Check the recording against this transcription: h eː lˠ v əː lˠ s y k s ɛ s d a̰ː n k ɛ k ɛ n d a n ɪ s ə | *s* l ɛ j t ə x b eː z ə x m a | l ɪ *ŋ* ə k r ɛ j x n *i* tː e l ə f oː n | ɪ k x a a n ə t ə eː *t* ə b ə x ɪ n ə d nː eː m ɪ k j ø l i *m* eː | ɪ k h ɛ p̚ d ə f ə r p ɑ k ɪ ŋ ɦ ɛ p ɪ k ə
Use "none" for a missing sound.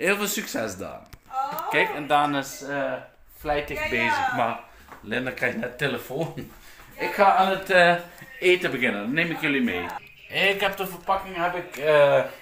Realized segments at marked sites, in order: f, n, ɛ, t, m

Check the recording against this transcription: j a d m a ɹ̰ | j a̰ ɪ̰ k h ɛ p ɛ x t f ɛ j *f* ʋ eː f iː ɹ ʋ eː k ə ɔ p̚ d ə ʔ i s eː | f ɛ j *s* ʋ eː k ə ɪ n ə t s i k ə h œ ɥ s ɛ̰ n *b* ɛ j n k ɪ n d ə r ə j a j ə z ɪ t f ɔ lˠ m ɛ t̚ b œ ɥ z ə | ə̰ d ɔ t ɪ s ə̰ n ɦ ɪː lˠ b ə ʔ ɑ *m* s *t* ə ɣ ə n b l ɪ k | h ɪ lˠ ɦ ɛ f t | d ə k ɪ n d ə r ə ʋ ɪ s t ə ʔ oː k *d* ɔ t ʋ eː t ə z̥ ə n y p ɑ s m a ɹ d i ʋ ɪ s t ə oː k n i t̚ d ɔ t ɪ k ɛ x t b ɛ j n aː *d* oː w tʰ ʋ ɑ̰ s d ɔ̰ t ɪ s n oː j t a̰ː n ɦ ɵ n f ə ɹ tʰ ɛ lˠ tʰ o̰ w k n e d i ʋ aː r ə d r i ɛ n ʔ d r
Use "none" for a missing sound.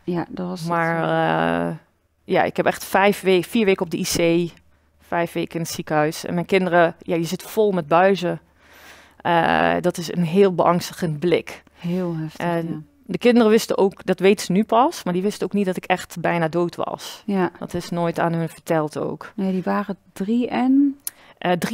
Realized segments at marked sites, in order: f, f, m, ŋ, t, d, d

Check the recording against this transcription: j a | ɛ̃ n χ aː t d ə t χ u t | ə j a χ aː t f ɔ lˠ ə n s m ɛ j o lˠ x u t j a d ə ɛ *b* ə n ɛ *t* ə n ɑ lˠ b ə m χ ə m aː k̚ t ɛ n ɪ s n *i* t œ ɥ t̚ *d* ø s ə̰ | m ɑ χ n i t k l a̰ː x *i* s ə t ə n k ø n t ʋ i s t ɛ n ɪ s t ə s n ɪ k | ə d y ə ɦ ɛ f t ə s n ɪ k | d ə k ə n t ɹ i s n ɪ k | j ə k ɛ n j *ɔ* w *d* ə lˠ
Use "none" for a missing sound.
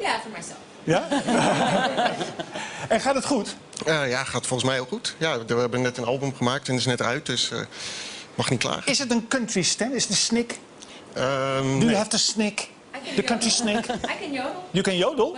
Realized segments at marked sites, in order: b, t, ɛ, d, ɪ, o, d

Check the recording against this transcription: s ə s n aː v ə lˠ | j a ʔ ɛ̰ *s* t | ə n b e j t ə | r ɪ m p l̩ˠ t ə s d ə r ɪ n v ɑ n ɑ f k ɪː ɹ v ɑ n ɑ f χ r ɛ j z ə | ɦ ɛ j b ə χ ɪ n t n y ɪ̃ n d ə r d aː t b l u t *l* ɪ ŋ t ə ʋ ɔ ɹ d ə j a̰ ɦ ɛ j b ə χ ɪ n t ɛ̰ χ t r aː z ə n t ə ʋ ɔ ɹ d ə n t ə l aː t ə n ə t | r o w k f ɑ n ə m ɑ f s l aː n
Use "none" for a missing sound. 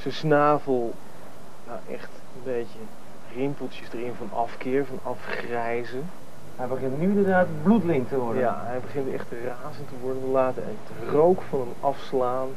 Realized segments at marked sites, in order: χ, l

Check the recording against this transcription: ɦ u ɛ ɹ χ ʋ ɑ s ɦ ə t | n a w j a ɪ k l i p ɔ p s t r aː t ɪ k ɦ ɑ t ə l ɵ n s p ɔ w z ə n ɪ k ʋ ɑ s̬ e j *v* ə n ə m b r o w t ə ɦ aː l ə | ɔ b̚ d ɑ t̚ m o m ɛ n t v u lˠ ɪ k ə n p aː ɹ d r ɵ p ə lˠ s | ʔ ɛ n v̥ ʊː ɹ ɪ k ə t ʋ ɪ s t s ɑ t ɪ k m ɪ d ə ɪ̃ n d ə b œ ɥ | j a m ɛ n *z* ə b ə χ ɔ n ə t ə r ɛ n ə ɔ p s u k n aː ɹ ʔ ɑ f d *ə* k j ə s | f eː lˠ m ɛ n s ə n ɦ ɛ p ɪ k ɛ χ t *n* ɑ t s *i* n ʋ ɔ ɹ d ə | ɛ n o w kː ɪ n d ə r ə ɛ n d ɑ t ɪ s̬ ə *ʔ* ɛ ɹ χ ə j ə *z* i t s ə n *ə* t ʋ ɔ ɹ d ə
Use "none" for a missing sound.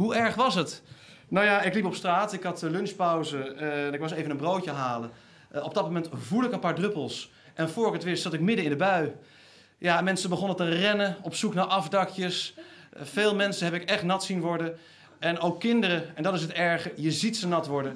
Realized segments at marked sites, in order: v, s, ɑ, n, i, t, z, ɑ

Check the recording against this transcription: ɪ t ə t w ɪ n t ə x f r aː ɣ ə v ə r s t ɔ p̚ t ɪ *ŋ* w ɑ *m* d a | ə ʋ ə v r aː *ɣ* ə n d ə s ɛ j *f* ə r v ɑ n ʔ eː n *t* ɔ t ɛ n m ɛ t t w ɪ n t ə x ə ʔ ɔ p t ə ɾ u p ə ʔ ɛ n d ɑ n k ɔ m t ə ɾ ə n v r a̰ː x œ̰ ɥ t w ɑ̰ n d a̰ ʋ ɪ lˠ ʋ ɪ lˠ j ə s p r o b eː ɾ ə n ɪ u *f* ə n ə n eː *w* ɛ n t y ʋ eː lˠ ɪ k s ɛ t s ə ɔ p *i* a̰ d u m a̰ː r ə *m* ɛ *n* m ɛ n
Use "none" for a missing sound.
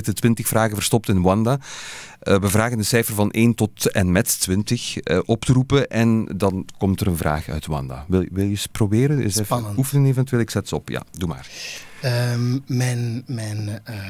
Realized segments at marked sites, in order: n, n, ɣ, f, t, f, v, j, m, n

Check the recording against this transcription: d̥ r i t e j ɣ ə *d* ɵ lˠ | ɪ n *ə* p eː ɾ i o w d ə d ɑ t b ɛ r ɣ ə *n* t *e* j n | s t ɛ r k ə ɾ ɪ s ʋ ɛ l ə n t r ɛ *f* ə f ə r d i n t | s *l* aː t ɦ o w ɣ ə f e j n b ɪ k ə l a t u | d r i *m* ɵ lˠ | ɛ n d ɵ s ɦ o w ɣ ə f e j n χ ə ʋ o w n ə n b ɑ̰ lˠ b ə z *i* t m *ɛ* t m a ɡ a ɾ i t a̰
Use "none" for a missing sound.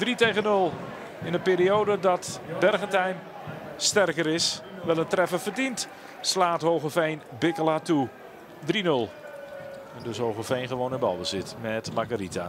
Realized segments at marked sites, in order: n, ə, n, ɛ, f, l, n, ɪ, ɛ

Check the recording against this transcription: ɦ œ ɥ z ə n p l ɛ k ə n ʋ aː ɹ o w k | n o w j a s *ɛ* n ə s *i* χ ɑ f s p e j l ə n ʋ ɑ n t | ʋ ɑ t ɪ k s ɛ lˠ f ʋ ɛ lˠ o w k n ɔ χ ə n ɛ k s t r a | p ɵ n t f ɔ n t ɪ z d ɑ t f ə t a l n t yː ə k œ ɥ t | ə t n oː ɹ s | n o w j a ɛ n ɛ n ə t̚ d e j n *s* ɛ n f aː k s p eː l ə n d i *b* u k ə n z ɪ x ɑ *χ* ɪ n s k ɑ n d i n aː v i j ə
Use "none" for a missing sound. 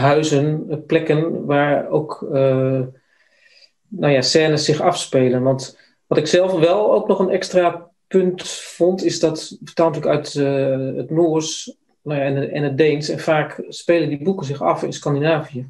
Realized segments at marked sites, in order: ɛː, ɪ, s, b, f

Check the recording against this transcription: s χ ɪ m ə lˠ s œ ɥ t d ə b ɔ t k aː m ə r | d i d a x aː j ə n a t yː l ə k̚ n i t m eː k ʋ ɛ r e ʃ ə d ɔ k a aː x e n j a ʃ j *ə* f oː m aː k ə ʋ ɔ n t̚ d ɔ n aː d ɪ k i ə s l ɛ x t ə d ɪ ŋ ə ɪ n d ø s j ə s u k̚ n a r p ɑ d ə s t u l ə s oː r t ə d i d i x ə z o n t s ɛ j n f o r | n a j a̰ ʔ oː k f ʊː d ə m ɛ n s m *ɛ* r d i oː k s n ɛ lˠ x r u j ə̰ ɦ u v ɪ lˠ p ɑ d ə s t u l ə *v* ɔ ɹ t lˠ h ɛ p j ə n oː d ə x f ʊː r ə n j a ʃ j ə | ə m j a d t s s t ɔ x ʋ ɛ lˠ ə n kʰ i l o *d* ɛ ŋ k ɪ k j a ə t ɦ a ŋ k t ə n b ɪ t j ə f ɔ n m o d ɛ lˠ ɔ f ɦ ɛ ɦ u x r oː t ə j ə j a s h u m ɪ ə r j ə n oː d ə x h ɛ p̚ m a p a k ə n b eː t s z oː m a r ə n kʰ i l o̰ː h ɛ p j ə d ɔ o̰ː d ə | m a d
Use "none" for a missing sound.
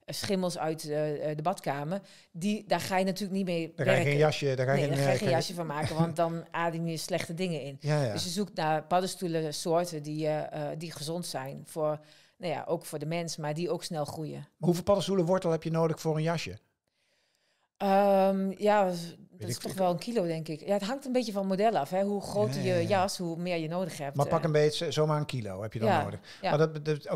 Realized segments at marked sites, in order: ə, a, ʋ, d

